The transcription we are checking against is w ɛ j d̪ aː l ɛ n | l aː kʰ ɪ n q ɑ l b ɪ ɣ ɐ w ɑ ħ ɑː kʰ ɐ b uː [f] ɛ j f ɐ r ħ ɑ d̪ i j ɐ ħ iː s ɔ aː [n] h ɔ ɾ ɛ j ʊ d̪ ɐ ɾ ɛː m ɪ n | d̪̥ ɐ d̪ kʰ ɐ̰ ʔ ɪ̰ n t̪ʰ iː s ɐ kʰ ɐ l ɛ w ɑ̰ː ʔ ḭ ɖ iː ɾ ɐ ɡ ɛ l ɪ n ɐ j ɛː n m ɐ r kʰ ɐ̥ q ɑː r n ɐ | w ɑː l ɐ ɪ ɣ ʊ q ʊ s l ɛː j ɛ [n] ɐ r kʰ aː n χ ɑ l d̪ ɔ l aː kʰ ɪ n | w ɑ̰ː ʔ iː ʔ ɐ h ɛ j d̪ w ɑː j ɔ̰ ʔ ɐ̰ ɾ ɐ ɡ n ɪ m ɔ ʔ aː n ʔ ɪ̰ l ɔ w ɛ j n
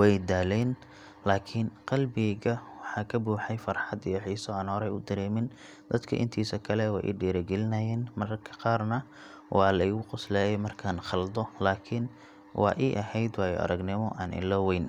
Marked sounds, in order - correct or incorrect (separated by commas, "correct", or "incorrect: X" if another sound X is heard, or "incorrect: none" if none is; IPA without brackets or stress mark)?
incorrect: ħ, correct, incorrect: m